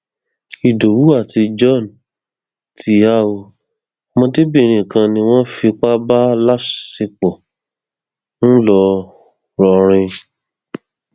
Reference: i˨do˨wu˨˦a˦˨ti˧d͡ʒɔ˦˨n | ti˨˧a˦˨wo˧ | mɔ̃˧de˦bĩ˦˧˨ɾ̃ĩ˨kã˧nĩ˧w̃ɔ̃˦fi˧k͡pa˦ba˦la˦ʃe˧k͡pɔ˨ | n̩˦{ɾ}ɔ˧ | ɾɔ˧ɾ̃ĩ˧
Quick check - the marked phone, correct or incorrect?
incorrect